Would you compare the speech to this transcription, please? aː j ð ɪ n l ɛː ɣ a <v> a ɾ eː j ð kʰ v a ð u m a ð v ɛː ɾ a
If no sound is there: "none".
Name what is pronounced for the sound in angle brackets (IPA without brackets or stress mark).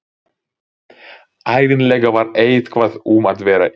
v